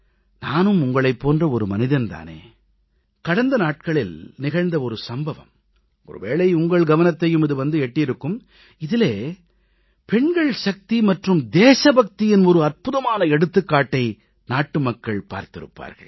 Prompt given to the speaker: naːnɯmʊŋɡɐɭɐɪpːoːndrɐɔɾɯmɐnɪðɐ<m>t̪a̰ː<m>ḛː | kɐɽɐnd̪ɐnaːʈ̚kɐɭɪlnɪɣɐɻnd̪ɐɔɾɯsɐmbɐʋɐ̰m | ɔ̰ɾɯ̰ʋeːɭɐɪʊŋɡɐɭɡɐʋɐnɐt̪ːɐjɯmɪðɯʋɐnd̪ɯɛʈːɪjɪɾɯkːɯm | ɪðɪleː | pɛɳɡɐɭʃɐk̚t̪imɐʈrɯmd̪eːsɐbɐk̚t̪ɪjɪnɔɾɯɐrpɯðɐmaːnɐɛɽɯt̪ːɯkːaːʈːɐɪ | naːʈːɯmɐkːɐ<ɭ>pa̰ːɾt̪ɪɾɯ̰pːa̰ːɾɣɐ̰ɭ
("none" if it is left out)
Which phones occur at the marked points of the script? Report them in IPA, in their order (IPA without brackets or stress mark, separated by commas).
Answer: n, n, ɭ